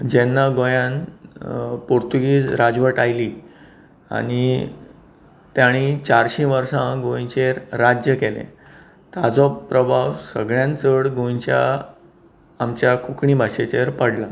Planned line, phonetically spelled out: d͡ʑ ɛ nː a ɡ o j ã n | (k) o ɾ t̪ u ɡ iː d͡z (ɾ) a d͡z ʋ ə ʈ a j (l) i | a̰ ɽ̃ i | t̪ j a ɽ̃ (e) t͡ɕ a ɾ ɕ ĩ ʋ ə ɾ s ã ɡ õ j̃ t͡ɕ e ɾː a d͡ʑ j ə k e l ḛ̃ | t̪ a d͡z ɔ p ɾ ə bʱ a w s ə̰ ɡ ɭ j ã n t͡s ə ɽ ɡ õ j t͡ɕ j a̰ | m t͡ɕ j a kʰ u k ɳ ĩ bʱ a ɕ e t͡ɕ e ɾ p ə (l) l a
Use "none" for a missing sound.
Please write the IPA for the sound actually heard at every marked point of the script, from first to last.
p, ɾ, l, i, ɽ

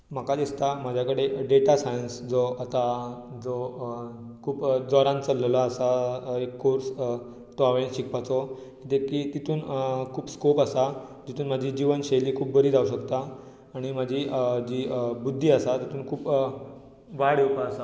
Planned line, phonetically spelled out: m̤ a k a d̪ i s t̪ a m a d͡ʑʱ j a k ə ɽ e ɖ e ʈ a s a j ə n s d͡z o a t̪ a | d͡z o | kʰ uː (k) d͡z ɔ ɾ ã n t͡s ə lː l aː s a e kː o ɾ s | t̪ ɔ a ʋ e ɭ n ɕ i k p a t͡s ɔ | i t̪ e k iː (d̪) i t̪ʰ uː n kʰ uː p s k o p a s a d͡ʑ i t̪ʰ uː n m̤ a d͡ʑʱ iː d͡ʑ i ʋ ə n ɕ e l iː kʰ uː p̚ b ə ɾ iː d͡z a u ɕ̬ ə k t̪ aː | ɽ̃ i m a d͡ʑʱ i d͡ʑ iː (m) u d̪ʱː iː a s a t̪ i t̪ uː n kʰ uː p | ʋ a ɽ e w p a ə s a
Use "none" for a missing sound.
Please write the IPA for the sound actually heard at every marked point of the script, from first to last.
p, t̪, b

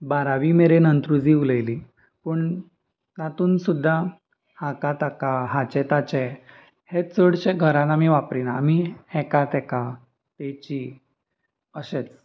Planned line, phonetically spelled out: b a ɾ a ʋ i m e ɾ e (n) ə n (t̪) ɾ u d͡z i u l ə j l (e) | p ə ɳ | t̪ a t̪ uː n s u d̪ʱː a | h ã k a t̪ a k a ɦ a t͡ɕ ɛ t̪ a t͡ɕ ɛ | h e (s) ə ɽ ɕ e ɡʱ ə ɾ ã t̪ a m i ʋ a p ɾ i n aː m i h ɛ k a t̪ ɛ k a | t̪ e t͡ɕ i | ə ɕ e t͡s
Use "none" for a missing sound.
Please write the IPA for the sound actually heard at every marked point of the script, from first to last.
n, t̪, i, t͡s

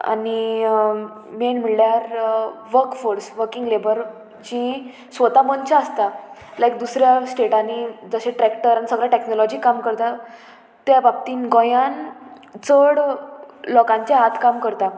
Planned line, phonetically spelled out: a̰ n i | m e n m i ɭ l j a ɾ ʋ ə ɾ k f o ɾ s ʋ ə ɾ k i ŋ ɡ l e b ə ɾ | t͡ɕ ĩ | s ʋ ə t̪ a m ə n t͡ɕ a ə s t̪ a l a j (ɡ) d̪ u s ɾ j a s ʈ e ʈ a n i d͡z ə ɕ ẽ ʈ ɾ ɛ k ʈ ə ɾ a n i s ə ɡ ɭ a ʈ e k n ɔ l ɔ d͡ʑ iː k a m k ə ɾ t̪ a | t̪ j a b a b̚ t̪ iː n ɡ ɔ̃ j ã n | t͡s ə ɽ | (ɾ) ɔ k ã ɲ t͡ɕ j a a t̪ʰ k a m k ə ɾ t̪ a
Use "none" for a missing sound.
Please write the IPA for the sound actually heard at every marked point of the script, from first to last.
k, l

